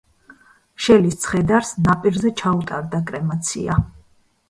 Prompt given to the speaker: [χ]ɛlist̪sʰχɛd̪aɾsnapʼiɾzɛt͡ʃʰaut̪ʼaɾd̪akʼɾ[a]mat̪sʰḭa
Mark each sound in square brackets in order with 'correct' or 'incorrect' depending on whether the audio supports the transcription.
incorrect, incorrect

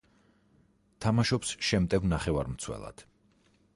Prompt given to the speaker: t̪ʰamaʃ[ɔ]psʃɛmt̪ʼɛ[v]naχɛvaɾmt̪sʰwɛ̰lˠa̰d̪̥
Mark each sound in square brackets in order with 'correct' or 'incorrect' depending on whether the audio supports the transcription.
correct, correct

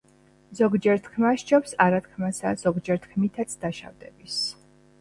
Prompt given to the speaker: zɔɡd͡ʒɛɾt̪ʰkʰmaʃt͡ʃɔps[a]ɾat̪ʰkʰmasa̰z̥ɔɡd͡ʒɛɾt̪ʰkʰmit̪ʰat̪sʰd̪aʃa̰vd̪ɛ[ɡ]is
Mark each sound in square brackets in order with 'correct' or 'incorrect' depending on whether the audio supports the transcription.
correct, incorrect

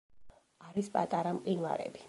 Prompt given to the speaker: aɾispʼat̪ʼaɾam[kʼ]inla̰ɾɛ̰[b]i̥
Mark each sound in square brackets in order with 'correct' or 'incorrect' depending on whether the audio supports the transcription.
incorrect, correct

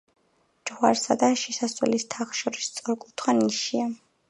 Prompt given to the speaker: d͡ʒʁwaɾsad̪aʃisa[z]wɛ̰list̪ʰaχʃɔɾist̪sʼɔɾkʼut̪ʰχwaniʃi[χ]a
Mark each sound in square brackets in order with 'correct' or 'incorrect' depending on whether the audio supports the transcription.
incorrect, incorrect

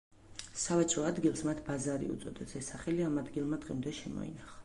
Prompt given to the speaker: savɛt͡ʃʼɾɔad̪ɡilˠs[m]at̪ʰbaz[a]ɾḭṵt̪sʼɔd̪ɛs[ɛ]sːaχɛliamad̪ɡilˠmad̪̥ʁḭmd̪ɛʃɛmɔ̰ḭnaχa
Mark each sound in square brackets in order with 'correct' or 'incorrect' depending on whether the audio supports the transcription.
correct, correct, correct

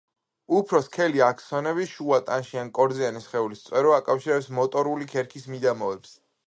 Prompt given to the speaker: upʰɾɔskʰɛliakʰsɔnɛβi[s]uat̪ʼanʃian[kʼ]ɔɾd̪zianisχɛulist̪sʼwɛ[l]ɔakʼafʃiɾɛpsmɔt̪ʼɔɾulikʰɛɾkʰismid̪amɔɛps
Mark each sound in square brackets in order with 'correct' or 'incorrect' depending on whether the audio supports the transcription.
incorrect, correct, incorrect

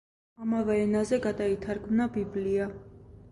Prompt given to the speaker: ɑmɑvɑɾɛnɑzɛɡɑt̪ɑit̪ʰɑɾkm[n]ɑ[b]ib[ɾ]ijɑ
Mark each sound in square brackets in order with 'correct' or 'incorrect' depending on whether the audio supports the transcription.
correct, correct, incorrect

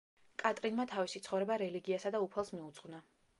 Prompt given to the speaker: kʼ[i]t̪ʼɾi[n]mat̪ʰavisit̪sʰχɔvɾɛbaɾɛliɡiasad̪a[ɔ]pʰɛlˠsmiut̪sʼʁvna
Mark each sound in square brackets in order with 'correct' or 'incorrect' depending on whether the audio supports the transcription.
incorrect, correct, incorrect

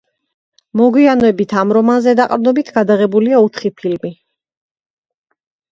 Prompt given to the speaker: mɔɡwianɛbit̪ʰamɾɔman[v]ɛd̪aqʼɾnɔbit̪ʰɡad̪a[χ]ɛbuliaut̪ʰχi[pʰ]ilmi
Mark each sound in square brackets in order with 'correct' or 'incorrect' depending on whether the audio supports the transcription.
incorrect, incorrect, correct

